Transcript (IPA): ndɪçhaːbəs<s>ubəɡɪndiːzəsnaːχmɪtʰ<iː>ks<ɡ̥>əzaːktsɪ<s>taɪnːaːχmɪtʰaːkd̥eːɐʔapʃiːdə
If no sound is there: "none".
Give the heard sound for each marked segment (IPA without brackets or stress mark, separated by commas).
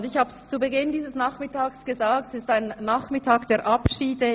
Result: t͡s, aː, ɡ̥, s